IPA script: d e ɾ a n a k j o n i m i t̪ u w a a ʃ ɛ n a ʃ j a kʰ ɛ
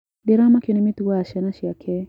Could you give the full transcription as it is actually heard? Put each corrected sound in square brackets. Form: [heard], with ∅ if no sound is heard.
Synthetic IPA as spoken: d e ɾ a [m] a k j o n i m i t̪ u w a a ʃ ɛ n a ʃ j a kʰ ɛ